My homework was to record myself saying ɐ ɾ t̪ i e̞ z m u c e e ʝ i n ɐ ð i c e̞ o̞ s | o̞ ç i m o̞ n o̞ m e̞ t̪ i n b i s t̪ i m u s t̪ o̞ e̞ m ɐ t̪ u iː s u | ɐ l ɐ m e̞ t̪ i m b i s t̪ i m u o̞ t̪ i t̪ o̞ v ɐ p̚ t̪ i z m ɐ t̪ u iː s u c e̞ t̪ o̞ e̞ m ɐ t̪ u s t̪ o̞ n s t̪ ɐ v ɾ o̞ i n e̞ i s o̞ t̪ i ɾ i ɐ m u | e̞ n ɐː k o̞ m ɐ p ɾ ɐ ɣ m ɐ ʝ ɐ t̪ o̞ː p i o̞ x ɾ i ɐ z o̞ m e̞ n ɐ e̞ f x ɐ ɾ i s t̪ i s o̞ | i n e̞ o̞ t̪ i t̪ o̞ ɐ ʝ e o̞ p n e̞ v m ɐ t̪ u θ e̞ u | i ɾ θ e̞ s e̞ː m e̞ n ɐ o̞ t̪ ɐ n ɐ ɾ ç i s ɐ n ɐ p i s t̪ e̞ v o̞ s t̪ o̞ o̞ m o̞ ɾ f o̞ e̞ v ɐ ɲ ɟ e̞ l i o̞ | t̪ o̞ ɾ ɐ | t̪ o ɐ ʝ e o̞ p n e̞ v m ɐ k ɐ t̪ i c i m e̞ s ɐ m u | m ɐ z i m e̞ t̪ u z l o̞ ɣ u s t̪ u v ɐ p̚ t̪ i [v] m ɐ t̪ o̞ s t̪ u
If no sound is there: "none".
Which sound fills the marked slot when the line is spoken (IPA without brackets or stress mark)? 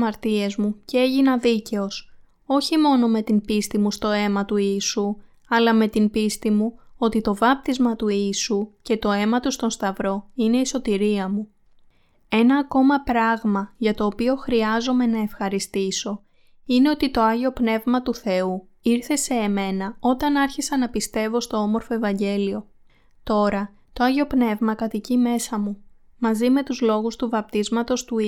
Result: z